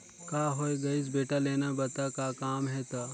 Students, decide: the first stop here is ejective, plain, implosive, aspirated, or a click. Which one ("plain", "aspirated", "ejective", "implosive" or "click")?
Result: plain